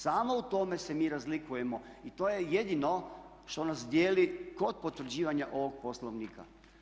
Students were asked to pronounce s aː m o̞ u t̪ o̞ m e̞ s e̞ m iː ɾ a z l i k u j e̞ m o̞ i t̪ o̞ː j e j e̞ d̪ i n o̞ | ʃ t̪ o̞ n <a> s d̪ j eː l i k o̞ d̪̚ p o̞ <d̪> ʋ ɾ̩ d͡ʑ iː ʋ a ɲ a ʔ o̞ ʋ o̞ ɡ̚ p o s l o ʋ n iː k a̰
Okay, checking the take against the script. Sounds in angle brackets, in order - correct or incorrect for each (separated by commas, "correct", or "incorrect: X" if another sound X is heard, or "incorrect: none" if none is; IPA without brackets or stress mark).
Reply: correct, incorrect: t̪